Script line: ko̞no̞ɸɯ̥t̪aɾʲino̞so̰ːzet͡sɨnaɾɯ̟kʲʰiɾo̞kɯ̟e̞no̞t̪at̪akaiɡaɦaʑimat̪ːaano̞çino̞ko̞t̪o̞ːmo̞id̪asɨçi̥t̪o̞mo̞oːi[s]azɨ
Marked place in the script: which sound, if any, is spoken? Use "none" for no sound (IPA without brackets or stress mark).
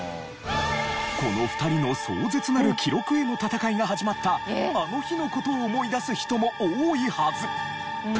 h